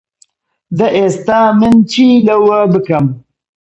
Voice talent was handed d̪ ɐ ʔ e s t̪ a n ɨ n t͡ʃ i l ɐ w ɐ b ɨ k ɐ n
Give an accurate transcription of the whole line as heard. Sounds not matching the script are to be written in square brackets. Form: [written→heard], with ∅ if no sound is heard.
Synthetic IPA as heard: d̪ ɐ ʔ e s t̪ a [n→m] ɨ n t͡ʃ i l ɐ w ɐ b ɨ k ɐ [n→m]